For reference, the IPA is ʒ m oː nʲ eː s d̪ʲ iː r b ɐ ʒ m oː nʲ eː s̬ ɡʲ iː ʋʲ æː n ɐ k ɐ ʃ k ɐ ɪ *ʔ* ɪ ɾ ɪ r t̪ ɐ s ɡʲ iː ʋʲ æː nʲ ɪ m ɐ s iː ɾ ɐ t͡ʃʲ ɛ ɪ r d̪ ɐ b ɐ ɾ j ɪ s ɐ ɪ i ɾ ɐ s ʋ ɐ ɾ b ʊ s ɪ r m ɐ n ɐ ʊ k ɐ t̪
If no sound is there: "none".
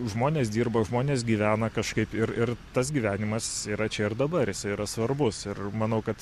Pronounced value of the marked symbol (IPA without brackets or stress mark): p